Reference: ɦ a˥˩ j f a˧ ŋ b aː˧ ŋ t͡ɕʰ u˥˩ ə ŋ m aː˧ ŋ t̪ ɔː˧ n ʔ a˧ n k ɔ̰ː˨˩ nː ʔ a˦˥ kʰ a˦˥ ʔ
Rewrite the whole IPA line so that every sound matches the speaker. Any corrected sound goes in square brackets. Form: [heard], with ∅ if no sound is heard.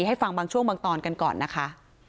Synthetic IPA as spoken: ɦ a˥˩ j f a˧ ŋ b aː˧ ŋ t͡ɕʰ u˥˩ ə ŋ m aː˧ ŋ t̪ ɔː˧ n [k] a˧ n k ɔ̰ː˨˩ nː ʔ a˦˥ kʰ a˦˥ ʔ